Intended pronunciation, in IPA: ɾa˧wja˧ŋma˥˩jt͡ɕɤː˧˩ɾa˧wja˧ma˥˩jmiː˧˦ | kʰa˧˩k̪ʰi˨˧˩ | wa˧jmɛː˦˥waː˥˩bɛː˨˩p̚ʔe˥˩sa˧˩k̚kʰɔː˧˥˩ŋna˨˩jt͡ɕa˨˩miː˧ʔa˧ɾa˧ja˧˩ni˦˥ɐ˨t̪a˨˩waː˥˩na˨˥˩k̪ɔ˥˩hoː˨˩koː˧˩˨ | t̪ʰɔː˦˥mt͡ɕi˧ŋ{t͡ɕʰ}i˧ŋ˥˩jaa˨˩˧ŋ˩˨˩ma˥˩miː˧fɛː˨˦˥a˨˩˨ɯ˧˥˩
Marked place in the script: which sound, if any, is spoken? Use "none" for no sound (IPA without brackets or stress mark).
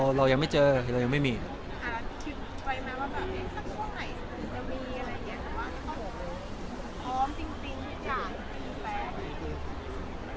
t͡ɕ